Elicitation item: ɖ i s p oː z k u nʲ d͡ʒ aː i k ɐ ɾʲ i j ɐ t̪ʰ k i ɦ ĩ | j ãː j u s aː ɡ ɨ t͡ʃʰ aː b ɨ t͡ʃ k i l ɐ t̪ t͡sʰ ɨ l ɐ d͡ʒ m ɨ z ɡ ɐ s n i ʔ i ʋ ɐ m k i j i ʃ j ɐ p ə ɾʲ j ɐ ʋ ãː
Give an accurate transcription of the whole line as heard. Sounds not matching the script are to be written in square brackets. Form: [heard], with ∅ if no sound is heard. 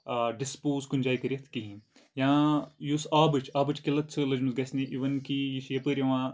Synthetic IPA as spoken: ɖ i s p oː z k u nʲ d͡ʒ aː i k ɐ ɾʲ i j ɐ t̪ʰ k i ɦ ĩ | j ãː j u s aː [b] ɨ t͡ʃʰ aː b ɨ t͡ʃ k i l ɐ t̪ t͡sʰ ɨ l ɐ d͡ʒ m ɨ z ɡ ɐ s n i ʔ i ʋ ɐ [n] k i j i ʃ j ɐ p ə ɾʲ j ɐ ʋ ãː